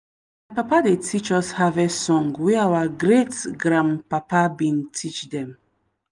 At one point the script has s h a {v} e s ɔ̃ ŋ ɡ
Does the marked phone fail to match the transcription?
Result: no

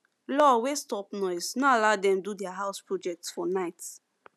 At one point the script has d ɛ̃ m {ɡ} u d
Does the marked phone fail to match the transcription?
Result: yes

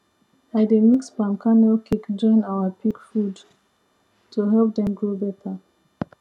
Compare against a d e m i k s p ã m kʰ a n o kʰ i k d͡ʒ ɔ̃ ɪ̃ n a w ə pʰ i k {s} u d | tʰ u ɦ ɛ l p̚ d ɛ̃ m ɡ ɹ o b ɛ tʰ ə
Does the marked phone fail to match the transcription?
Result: yes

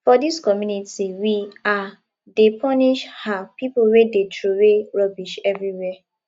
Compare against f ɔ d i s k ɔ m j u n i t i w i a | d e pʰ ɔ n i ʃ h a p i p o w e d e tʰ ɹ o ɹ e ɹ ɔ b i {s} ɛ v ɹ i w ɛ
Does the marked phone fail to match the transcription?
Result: yes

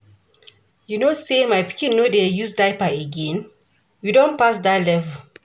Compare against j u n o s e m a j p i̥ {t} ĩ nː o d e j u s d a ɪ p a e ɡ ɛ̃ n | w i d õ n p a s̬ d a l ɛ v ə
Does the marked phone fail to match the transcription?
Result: yes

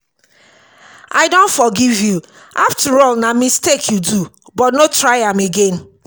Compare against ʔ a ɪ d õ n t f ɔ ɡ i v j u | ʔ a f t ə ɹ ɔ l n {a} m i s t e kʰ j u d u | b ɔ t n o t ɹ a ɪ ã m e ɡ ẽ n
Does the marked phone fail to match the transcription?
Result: no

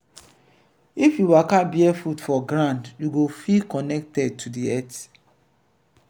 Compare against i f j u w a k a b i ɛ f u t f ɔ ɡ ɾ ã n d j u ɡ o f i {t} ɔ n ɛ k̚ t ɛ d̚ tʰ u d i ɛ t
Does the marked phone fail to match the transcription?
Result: yes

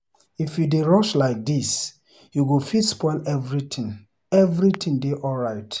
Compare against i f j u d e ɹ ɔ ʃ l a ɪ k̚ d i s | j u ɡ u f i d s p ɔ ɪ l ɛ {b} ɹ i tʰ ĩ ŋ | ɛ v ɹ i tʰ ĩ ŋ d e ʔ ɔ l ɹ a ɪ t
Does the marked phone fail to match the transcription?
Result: yes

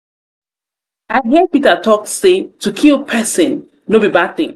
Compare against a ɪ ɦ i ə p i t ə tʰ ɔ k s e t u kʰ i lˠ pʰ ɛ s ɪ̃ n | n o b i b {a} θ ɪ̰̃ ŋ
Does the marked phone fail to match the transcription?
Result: no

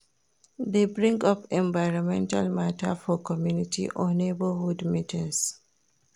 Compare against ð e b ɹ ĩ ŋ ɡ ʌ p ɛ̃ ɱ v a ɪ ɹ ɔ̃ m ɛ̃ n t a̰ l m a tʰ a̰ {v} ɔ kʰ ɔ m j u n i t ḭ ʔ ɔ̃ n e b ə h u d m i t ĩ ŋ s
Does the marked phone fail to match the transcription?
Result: yes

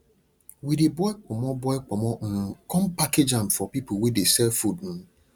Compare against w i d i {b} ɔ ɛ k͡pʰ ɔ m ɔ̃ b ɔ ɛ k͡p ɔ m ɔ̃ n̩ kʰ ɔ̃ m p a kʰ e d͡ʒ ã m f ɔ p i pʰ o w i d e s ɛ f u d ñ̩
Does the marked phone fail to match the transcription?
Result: no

